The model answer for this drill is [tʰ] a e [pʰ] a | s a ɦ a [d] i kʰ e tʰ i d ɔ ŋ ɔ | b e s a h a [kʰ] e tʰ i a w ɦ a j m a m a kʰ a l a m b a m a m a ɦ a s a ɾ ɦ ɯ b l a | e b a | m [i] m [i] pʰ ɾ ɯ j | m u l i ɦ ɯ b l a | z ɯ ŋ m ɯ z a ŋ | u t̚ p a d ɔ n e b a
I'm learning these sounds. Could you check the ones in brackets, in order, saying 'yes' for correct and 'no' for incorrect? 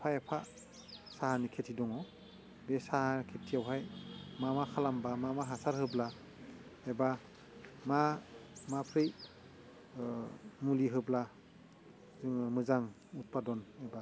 no, yes, no, yes, no, no

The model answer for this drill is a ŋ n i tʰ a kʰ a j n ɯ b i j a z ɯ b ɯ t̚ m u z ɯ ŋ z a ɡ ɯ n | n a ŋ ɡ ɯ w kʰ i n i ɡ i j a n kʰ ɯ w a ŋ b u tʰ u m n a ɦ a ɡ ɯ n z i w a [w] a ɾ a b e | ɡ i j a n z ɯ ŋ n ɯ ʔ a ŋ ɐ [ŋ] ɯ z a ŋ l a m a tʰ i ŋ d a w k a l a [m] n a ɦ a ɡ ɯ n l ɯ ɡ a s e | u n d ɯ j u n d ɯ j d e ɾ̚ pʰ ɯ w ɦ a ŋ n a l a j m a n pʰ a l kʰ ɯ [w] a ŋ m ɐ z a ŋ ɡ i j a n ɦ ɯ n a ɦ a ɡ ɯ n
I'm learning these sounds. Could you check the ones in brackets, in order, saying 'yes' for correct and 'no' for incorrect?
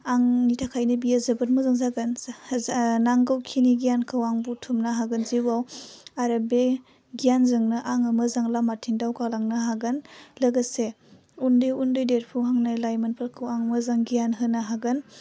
yes, no, no, yes

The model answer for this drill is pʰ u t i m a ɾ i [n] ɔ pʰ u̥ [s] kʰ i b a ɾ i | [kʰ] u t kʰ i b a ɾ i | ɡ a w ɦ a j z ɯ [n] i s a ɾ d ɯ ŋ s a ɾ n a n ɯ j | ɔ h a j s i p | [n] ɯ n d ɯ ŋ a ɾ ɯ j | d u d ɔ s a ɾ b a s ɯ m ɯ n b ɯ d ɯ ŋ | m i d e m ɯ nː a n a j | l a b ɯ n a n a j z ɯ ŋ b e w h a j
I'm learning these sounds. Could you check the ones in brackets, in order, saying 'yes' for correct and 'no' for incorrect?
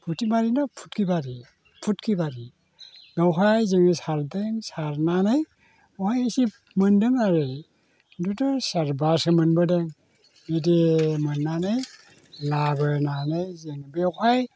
yes, no, no, no, no

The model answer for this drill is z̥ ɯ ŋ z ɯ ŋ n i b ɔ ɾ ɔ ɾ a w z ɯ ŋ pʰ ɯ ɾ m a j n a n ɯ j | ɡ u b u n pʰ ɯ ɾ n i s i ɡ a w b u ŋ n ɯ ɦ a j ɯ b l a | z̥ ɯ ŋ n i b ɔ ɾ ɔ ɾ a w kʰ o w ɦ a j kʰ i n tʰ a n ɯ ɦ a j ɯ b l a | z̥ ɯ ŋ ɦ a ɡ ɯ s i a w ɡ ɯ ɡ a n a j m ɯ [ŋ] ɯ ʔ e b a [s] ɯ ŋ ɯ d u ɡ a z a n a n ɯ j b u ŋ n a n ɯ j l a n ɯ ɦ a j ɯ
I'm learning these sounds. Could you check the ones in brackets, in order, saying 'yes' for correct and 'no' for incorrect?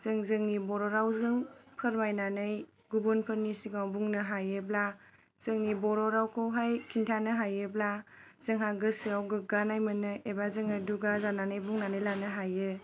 no, no

